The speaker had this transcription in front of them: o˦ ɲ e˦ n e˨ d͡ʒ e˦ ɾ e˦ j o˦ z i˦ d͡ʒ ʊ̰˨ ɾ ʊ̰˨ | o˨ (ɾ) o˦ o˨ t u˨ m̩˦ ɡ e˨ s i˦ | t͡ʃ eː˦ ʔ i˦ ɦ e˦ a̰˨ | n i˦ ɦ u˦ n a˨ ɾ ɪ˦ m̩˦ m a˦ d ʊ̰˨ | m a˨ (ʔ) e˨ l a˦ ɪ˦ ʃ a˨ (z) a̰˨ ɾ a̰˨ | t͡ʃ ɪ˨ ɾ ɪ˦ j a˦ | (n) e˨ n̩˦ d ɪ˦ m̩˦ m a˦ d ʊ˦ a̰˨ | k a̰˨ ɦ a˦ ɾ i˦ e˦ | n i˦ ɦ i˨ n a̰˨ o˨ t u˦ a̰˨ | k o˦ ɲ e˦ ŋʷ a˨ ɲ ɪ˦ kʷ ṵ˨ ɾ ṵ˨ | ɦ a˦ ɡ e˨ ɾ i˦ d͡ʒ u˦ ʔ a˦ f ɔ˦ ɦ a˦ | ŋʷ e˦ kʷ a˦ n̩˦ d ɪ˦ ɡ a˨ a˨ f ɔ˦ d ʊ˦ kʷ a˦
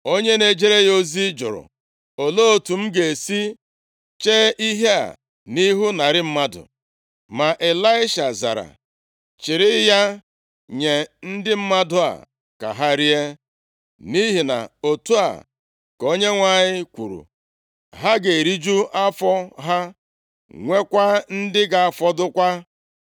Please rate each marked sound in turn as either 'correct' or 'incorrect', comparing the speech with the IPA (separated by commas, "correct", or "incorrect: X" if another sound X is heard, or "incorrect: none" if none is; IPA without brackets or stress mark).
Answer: incorrect: l, correct, correct, incorrect: ɲ